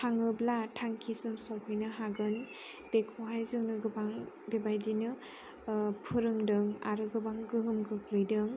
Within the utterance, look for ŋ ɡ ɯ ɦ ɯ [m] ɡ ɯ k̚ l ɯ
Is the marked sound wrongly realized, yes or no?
no